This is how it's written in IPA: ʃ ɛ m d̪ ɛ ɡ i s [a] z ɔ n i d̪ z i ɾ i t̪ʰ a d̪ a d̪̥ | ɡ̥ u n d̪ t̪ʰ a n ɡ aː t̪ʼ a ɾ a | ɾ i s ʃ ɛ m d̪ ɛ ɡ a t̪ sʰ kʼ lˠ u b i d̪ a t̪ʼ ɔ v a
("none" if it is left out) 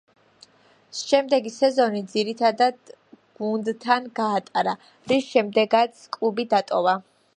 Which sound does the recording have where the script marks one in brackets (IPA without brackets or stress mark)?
ɛ